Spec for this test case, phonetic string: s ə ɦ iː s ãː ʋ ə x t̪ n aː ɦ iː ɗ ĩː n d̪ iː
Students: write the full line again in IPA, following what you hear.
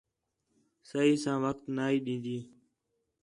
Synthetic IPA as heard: s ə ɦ iː s ãː ʋ ə k t̪ n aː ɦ iː ɗ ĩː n d̪ iː